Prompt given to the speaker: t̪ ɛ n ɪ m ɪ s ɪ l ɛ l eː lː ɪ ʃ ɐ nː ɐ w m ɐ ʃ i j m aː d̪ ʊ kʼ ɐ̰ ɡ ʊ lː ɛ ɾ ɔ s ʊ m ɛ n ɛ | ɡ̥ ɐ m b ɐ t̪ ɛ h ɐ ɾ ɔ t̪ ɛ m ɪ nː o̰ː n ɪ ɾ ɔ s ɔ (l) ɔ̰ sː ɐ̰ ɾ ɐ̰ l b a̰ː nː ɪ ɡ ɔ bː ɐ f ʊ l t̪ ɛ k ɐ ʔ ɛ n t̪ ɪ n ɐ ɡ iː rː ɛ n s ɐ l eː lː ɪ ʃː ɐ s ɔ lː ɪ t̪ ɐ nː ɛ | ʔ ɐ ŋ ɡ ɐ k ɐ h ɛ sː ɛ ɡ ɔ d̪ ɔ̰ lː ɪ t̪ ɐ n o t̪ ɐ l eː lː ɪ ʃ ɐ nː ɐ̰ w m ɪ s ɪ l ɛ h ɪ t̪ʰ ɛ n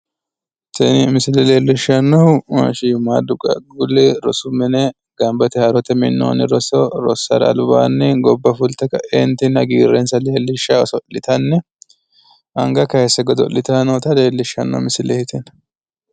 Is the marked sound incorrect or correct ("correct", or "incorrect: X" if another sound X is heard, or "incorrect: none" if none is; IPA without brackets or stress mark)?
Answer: incorrect: ɾ